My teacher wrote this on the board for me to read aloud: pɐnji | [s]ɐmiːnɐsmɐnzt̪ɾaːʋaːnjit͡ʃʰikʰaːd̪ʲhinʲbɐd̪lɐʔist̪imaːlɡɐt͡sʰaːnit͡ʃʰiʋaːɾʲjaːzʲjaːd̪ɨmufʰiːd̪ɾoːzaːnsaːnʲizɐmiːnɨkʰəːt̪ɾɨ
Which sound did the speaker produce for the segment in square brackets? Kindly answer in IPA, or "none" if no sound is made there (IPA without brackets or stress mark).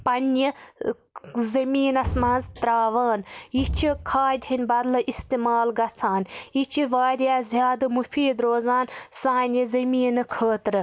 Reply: z